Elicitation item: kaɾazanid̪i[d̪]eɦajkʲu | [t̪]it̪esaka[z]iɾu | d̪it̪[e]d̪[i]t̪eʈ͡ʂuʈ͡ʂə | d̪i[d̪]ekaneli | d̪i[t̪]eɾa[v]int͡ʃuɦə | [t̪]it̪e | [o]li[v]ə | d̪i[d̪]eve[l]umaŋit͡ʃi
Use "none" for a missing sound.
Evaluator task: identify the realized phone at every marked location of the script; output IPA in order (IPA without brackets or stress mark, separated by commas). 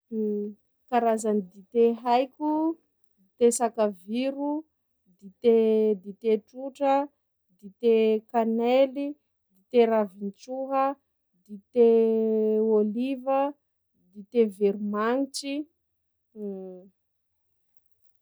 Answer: t̪, d̪, v, e, i, t̪, t̪, v, d̪, o, v, t̪, ɾ